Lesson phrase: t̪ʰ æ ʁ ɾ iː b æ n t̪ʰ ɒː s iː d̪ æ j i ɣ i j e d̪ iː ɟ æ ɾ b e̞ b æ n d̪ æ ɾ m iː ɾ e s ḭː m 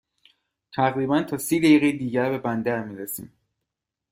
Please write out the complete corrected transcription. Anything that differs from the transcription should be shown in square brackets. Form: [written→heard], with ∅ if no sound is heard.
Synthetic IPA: t̪ʰ æ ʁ ɾ iː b æ n t̪ʰ ɒː s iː d̪ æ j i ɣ [i→e] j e d̪ iː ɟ æ ɾ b e̞ b æ n d̪ æ ɾ m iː ɾ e s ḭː m